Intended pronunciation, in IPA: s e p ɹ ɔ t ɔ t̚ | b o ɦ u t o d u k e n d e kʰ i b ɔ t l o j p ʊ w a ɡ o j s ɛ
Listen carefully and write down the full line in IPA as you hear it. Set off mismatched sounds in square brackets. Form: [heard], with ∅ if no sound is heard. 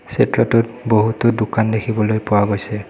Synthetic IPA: s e [t] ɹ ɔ t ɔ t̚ | b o ɦ u t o d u k [a] n d e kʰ i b ɔ [∅] l o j p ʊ w a ɡ o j s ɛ